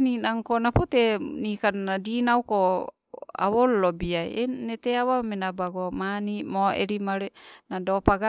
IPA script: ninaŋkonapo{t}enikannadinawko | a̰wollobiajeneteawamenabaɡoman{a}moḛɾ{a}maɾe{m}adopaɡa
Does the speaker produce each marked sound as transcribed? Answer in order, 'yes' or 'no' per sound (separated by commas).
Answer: yes, no, no, no